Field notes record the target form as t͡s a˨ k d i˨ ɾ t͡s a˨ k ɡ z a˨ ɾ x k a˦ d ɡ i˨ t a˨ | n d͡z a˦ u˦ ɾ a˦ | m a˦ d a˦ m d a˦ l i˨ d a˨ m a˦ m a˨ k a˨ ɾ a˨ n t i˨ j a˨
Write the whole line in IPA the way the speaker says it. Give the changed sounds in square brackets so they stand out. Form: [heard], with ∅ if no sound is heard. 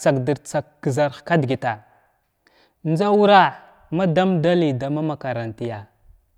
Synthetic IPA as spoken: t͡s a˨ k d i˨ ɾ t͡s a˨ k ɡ z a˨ ɾ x k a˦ d ɡ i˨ t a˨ | n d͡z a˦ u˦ ɾ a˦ | m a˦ d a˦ m d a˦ l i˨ d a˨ m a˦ m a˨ k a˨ ɾ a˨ n t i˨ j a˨